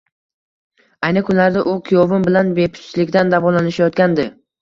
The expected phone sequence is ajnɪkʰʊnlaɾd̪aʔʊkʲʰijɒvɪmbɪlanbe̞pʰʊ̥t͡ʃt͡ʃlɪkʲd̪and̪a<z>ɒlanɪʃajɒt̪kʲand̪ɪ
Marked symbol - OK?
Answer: no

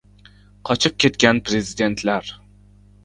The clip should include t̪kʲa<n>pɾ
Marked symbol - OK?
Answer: yes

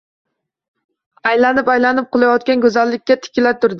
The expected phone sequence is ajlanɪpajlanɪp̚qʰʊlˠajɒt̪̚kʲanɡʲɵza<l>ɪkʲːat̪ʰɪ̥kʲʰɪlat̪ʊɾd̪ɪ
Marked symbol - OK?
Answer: no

